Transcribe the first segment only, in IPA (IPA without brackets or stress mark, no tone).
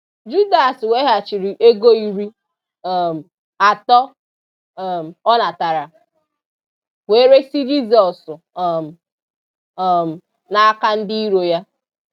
d͡ʒ